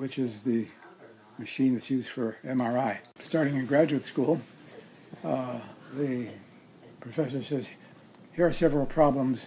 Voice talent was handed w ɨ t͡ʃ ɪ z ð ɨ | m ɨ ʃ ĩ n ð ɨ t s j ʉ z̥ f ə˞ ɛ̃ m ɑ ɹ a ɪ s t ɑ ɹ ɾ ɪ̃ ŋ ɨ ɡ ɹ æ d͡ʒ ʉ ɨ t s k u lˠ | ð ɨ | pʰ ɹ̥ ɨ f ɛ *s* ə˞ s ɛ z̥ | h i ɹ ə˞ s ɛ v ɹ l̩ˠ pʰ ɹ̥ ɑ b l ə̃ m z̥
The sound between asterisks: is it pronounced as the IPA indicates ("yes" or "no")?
yes